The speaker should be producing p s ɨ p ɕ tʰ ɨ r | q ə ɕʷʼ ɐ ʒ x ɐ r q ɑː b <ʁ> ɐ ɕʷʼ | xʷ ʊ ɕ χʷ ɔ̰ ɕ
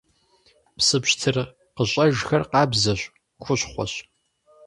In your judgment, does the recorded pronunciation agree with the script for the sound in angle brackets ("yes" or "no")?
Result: no